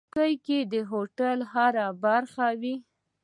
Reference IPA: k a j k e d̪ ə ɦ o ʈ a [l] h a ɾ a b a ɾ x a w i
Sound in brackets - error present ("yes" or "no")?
no